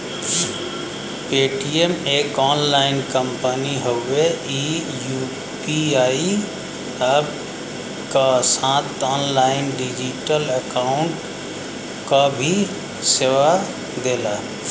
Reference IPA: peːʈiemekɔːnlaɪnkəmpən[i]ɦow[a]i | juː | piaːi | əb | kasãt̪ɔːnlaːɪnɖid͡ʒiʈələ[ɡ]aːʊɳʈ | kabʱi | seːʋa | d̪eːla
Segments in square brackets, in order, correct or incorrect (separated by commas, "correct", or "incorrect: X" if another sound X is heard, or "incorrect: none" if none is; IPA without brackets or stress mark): correct, incorrect: e, incorrect: k